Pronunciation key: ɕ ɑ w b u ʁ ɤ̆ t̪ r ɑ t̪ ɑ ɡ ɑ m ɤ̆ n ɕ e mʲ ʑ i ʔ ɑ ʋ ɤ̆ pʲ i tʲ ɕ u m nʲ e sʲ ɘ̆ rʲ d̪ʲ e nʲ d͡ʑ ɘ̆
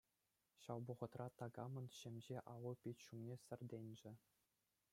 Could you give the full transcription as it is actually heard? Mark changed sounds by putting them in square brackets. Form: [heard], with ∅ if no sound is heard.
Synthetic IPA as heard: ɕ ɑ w b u ʁ ɤ̆ t̪ r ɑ t̪ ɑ ɡ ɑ m ɤ̆ n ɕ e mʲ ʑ [e] ʔ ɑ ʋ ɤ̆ pʲ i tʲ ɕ u m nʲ e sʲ ɘ̆ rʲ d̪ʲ e nʲ d͡ʑ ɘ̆